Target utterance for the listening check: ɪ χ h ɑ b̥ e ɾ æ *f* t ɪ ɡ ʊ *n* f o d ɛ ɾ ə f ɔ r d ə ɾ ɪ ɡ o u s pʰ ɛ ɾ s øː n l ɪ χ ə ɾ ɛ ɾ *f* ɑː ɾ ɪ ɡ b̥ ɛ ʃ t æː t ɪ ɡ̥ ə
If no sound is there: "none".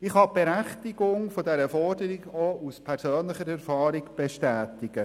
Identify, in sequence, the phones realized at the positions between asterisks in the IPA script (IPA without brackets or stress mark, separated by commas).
χ, ŋ, f